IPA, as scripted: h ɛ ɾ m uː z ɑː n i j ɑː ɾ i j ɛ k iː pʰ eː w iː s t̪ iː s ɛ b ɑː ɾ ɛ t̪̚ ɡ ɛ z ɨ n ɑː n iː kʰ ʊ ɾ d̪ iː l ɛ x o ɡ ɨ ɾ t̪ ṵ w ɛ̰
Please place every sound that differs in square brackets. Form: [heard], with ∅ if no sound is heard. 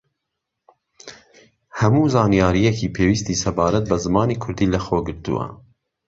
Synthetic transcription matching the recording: h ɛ [∅] m uː z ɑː n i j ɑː ɾ i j ɛ k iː pʰ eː w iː s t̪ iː s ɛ b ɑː ɾ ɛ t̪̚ [b] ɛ z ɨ [m] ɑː n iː kʰ ʊ ɾ d̪ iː l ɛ x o ɡ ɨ ɾ t̪ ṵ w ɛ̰

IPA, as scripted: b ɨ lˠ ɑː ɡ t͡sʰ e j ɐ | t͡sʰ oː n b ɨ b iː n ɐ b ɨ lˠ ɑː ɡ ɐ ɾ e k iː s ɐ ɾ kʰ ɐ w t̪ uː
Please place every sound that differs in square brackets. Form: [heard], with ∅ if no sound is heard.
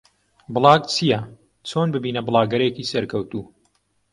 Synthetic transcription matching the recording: b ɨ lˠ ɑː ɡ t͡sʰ [i] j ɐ | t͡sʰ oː n b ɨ b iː n ɐ b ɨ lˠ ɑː ɡ ɐ ɾ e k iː s ɐ ɾ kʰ ɐ w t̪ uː

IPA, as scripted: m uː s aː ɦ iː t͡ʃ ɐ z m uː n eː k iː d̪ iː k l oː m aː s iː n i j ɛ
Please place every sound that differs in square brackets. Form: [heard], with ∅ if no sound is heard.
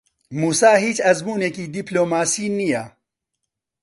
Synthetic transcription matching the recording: m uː s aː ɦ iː t͡ʃ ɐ z m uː n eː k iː d̪ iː [p] l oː m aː s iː n i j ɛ

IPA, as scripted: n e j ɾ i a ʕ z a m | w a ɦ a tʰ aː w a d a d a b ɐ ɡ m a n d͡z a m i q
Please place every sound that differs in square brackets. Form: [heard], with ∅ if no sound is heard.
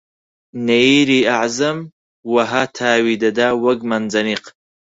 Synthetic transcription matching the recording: n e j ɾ i a ʕ z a m | w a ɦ a tʰ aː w [i] d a d a [w] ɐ ɡ m a n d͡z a [n] i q

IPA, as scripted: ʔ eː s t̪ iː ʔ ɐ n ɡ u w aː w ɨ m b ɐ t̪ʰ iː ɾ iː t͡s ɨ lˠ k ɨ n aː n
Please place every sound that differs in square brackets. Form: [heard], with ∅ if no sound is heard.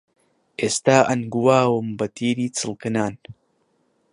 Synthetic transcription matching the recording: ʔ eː s t̪ [aː] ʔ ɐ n ɡ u w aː w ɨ m b ɐ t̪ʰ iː ɾ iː t͡s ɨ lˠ k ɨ n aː n

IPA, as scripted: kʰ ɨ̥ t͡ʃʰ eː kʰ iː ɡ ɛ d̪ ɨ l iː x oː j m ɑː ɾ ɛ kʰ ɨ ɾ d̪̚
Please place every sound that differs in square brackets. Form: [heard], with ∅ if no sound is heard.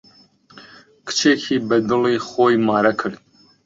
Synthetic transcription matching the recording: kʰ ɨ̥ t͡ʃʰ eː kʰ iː [b] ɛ d̪ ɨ l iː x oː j m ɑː ɾ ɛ kʰ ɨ ɾ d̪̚

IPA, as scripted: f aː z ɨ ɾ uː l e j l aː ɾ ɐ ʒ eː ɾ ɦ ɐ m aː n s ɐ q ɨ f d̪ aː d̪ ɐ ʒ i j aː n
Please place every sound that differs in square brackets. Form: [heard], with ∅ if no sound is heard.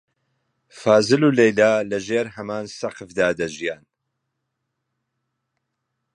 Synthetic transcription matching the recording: f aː z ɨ [l] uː l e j l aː [l] ɐ ʒ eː ɾ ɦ ɐ m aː n s ɐ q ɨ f d̪ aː d̪ ɐ ʒ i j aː n

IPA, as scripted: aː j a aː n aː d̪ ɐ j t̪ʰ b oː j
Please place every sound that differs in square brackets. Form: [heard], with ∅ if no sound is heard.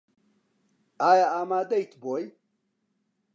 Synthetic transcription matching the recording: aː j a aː [m] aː d̪ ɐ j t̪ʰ b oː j

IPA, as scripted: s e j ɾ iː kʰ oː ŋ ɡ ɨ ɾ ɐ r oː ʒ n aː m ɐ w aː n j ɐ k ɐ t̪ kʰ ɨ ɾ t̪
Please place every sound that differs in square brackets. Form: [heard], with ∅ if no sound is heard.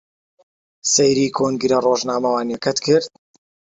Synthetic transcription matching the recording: s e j ɾ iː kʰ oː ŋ ɡ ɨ ɾ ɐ r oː ʒ n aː m ɐ w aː n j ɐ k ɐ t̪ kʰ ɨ ɾ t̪

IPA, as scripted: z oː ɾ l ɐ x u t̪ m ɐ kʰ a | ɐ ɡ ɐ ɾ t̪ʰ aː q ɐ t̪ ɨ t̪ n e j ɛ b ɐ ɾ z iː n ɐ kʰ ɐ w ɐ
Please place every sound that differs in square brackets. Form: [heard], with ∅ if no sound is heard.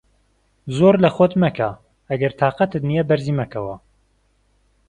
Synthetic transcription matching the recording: z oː ɾ l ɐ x [o] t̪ m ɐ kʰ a | ɐ ɡ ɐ ɾ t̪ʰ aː q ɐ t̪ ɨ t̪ n [i] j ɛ b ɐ ɾ z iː [m] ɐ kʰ ɐ w ɐ

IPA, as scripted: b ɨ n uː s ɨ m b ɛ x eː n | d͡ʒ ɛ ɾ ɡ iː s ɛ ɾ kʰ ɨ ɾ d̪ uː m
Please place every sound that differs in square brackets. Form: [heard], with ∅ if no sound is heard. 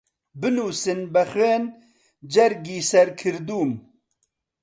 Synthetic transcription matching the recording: b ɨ n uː s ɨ [n] b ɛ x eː n | d͡ʒ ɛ ɾ ɡ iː s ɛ ɾ kʰ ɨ ɾ d̪ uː m

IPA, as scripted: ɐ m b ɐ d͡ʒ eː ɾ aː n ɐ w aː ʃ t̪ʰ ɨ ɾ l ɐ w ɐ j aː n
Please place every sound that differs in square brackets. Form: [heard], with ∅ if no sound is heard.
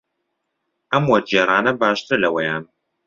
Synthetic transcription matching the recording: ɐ m [w] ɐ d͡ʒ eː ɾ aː n ɐ [b] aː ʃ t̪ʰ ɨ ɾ l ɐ w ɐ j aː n

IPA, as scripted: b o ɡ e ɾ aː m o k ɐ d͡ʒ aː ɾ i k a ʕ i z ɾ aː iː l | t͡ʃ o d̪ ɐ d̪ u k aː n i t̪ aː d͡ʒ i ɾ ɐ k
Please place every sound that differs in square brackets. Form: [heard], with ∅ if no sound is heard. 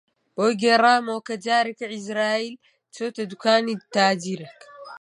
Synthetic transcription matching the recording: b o ɡ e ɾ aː m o k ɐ d͡ʒ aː ɾ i k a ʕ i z ɾ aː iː l | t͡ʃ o [t̪] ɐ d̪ u k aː n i t̪ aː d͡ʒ i ɾ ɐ k

